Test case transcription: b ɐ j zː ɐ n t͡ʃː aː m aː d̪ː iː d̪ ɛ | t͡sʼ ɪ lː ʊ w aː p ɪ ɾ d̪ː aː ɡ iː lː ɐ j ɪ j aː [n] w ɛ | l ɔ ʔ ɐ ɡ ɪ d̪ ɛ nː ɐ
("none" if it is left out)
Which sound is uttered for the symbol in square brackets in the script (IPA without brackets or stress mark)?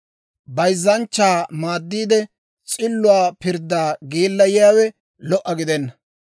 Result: none